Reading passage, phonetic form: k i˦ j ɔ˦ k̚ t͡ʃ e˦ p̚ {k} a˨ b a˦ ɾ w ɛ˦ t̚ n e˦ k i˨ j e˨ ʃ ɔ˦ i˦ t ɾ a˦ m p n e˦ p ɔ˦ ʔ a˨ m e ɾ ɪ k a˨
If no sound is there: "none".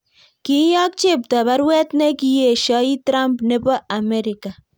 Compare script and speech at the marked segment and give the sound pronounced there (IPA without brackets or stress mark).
t